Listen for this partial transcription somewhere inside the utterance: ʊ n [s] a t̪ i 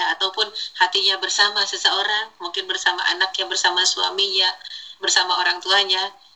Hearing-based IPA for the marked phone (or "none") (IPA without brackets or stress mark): h